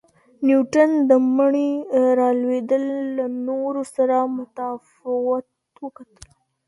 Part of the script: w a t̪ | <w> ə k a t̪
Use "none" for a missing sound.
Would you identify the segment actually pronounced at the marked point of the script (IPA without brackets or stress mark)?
w